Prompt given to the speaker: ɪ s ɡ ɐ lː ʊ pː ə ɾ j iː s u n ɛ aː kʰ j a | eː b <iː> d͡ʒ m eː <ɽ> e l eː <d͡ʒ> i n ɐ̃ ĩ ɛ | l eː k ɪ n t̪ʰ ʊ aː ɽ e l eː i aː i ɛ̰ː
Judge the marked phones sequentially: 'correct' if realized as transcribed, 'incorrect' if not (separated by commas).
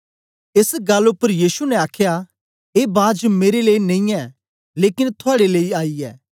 incorrect, incorrect, incorrect